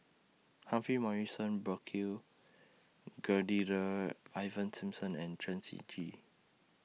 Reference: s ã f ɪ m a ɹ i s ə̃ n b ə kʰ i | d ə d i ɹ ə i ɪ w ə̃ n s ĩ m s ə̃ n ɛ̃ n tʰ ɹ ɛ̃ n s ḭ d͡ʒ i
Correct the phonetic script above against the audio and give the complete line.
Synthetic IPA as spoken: h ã f i m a ɹ i s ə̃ n b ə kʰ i | ɡ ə d i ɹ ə a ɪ v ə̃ n s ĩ m s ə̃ n ɛ̃ n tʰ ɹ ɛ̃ n s ḭ d͡ʒ i